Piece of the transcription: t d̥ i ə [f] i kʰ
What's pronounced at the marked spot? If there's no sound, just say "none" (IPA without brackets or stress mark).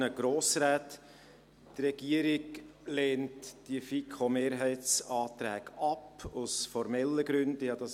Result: f